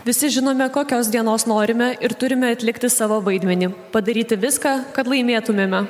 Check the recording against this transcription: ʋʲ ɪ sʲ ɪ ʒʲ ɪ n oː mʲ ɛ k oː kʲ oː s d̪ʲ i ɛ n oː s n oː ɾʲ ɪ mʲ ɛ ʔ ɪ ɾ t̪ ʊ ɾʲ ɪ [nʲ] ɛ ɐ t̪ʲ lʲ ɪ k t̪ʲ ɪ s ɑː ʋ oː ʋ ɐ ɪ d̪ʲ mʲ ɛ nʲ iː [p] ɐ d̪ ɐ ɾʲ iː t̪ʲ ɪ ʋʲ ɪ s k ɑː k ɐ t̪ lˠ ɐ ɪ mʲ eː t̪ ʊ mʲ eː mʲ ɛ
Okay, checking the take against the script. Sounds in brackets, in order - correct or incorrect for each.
incorrect: mʲ, correct

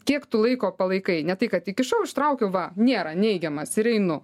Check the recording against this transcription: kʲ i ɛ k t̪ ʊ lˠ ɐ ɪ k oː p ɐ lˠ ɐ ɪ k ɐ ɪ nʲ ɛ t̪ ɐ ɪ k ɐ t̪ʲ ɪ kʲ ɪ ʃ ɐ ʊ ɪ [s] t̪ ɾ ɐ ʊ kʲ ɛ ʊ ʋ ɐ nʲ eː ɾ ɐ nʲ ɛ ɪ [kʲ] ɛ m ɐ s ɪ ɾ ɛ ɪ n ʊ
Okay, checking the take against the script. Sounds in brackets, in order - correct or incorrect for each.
incorrect: ʃ, incorrect: ɡʲ

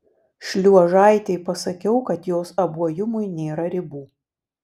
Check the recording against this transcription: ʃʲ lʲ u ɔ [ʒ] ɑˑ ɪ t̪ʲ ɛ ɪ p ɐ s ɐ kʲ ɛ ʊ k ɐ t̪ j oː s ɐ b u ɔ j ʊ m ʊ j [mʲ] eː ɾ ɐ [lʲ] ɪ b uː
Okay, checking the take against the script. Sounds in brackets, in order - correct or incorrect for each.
correct, incorrect: nʲ, incorrect: ɾʲ

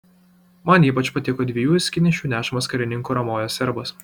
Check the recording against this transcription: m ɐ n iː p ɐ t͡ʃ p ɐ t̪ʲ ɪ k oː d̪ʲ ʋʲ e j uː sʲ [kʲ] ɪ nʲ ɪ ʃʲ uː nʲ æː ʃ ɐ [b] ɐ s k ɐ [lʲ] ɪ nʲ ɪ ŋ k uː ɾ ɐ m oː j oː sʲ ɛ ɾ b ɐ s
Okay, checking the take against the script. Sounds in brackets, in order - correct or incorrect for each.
correct, incorrect: m, incorrect: ɾʲ

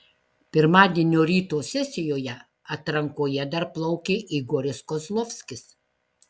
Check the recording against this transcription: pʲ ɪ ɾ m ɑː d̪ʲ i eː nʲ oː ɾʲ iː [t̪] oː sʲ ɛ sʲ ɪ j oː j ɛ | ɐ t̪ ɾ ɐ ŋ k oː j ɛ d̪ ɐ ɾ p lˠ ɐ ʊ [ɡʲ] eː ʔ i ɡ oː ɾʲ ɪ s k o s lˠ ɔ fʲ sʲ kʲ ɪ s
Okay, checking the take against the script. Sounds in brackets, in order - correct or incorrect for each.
correct, incorrect: kʲ

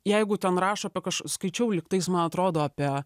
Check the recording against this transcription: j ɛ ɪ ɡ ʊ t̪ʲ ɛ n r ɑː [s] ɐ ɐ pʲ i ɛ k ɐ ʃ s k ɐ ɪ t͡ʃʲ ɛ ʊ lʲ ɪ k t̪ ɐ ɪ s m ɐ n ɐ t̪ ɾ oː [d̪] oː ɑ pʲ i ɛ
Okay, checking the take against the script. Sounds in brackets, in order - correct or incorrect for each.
incorrect: ʃ, correct

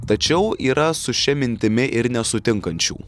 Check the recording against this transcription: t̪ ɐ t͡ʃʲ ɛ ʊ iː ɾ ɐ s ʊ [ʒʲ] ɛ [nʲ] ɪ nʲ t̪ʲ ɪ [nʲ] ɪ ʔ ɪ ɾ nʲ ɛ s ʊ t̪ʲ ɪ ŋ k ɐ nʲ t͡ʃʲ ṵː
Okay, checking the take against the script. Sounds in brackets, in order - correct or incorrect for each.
incorrect: ʃʲ, incorrect: mʲ, incorrect: mʲ

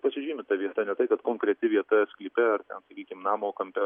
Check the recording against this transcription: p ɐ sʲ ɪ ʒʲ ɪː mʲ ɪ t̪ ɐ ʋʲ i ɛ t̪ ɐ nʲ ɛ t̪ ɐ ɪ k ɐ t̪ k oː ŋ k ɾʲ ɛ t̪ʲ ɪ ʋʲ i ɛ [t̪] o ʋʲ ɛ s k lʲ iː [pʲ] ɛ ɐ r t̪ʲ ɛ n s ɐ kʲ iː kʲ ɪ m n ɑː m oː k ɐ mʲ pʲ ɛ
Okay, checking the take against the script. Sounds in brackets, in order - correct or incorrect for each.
correct, correct

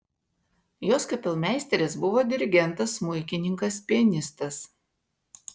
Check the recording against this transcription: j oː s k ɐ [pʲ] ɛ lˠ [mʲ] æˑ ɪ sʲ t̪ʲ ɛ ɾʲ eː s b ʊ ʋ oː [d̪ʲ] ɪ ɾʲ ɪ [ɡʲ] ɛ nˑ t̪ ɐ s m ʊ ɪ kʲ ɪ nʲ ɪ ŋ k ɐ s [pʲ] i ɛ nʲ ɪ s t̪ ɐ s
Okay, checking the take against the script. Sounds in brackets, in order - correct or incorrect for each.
correct, correct, correct, correct, correct

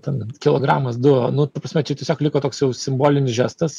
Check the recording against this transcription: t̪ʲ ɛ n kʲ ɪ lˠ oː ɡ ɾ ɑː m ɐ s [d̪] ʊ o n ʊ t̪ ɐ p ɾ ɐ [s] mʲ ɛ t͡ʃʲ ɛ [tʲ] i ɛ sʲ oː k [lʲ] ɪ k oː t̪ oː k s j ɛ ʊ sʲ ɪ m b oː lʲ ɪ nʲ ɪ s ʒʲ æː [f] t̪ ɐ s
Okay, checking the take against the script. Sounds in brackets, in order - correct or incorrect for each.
correct, correct, correct, correct, incorrect: s

